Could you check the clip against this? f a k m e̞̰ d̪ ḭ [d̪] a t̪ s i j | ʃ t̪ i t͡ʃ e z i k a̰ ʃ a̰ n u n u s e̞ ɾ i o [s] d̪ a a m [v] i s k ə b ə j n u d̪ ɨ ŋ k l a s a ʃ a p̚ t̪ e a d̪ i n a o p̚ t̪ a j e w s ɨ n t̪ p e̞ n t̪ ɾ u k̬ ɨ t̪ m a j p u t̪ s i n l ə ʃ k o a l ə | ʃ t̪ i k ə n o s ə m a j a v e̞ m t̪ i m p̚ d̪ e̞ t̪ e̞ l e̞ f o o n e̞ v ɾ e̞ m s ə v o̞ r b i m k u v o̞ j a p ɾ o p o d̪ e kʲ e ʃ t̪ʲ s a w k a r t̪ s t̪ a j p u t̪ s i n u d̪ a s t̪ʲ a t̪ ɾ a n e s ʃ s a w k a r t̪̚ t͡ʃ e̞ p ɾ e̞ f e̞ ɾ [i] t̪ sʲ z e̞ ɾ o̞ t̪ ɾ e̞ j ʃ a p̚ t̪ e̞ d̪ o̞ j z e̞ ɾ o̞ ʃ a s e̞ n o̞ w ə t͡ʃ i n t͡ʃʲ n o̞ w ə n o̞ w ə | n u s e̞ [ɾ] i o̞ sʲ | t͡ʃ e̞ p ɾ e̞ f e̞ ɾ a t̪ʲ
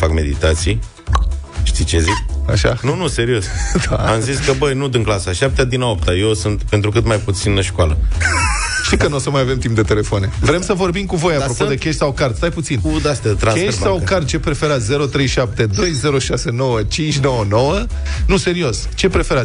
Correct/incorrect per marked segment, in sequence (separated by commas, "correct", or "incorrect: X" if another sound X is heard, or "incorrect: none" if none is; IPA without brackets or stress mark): incorrect: t̪, correct, incorrect: z, incorrect: a, correct